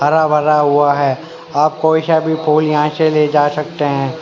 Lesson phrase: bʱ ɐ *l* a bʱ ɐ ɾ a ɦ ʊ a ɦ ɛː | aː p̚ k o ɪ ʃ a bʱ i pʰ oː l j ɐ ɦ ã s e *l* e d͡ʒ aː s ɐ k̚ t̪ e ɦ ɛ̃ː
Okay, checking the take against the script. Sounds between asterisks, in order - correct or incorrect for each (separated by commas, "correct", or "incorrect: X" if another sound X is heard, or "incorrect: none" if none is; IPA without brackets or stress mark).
incorrect: ɾ, correct